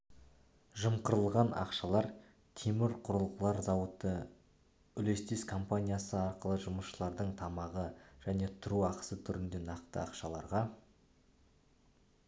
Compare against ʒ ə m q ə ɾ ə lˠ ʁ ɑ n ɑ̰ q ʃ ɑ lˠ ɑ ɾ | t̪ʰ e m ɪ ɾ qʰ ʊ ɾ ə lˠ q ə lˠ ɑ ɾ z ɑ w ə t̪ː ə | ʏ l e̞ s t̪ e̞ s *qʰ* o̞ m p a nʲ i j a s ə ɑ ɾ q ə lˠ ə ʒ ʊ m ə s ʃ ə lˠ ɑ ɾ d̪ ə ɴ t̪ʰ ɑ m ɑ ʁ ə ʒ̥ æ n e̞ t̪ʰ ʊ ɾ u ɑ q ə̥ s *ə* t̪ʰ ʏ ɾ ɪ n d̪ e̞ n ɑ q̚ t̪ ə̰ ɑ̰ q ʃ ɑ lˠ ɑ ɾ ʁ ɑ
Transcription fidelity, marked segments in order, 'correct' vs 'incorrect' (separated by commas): incorrect, correct